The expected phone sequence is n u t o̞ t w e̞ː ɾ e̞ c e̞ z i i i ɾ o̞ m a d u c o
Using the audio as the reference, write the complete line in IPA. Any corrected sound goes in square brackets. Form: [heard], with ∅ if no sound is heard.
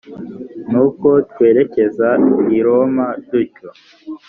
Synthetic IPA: n u [k] o̞ t w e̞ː ɾ e̞ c e̞ z [a] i i ɾ o̞ m a d u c o